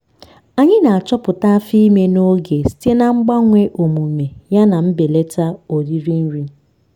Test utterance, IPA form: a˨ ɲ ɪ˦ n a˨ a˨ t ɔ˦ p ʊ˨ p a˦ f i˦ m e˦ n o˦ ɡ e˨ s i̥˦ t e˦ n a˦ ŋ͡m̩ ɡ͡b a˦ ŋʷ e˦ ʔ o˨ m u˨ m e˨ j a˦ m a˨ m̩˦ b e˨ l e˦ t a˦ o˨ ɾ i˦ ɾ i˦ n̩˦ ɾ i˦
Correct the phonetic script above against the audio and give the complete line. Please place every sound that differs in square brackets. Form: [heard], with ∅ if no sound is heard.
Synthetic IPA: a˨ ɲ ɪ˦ n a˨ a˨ [t͡ʃ] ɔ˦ p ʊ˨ [t] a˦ f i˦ m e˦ n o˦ ɡ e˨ s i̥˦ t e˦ n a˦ ŋ͡m̩ ɡ͡b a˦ ŋʷ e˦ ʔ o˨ m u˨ m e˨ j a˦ [n] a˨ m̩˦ b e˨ l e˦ t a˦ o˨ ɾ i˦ ɾ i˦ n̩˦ ɾ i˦